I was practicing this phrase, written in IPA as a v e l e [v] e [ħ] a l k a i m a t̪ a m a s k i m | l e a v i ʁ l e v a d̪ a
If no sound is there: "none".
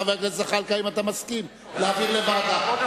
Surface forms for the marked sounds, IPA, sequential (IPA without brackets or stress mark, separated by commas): z, χ